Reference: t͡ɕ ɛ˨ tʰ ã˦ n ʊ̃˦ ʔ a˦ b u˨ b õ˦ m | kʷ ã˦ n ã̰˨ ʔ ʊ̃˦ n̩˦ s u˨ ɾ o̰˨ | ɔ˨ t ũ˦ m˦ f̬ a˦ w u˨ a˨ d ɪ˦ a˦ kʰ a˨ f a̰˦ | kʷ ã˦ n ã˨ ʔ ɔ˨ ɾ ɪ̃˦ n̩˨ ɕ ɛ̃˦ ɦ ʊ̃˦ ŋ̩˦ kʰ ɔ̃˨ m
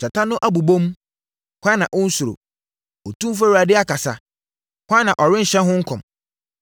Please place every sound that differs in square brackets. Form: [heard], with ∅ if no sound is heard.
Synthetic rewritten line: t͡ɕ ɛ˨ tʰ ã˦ n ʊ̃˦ ʔ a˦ b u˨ b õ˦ m | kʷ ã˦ n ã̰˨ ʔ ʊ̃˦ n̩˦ s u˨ ɾ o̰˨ | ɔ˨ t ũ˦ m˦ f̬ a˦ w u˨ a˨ d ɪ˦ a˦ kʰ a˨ [s] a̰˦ | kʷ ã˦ n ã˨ ʔ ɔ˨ ɾ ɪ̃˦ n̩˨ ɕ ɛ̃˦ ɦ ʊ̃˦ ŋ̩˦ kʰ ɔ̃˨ m